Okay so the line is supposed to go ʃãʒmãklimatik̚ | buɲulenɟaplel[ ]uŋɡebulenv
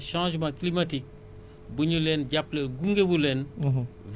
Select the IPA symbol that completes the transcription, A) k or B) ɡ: B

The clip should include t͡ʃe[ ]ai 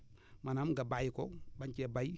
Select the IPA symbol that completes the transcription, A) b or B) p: A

